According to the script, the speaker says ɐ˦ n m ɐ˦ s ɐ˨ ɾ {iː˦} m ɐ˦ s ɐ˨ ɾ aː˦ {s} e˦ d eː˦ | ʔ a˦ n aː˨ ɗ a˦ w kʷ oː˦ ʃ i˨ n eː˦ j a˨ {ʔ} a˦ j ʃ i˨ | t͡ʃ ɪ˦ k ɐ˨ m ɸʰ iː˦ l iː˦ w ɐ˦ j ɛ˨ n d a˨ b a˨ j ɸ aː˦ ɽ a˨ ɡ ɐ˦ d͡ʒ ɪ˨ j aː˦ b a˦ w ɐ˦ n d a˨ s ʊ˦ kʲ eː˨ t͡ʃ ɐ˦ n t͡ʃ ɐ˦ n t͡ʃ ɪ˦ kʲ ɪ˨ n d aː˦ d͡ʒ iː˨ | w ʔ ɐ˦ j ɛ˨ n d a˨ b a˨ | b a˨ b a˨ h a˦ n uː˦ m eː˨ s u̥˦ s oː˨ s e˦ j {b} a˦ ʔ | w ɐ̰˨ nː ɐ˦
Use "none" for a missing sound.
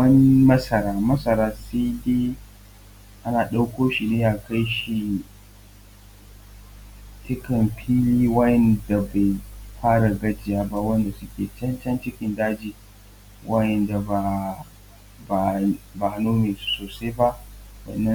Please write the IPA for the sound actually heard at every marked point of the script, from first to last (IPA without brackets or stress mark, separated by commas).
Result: aː˦, s, k, b